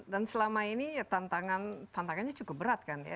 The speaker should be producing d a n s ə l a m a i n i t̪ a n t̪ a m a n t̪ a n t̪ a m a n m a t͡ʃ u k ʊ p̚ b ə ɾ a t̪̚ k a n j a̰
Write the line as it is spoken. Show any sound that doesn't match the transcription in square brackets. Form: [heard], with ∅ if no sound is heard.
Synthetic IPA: d a n s ə l a m a i n i t̪ a n t̪ a [ŋ] a n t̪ a n t̪ a [ŋ] a n [ɲ] a t͡ʃ u k ʊ p̚ b ə ɾ a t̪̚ k a n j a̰